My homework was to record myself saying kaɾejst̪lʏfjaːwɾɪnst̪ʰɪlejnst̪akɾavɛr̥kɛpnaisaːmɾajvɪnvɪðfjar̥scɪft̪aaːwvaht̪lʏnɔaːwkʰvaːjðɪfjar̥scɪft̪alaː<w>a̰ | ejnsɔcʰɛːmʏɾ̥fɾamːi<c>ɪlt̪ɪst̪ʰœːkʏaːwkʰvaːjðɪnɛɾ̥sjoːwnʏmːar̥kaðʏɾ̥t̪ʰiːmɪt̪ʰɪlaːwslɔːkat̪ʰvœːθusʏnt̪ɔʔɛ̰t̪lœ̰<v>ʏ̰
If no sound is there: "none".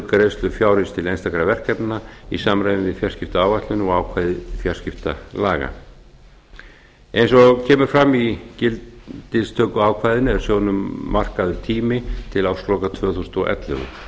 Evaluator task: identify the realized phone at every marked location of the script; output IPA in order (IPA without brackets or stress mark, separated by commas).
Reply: ɣ, c, ɣ